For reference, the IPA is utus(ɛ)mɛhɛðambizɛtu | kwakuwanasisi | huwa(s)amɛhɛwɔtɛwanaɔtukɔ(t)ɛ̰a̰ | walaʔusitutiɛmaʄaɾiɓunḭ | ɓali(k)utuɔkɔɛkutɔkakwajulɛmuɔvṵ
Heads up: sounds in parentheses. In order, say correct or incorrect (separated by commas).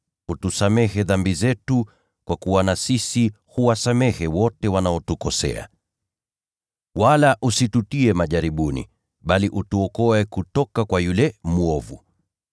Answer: incorrect, correct, incorrect, incorrect